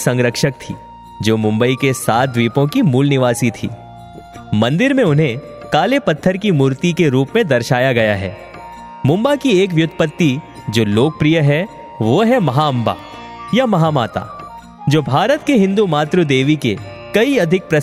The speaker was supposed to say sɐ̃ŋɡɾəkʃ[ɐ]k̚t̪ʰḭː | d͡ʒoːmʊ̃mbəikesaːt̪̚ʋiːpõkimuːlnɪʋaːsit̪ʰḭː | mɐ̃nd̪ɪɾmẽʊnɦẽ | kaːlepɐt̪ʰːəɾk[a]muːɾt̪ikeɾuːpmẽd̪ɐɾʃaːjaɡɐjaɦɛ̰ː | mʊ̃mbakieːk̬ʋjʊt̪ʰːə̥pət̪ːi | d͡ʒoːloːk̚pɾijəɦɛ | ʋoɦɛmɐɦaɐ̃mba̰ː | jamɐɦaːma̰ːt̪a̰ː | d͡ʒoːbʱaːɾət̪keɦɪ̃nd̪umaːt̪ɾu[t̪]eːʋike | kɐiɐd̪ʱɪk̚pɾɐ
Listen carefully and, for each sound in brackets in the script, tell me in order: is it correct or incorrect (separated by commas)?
incorrect, incorrect, incorrect